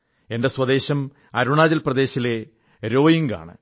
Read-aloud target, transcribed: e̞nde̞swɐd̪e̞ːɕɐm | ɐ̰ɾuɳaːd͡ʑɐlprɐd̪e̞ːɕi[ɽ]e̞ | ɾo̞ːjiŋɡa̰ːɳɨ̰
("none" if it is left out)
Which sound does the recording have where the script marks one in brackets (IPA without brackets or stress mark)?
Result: l